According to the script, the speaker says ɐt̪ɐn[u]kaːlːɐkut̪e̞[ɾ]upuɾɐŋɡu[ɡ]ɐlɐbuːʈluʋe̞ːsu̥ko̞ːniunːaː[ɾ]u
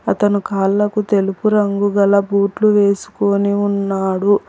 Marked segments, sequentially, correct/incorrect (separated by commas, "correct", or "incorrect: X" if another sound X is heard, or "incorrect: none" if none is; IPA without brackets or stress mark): correct, incorrect: l, correct, incorrect: ɽ